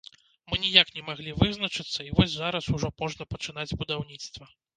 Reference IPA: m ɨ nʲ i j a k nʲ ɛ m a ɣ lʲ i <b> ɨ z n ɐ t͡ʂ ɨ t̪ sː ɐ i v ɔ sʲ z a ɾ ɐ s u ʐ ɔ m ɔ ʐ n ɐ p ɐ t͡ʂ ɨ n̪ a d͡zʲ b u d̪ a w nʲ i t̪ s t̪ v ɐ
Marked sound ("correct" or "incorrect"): incorrect